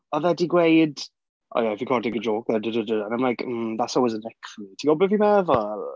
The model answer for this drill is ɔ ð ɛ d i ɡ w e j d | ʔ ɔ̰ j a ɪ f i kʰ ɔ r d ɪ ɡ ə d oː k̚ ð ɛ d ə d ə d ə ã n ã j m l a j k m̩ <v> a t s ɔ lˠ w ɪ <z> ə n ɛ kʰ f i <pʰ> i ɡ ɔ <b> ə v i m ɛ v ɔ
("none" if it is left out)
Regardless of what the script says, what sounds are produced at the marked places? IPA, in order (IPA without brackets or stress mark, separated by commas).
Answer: ð, z, tʰ, b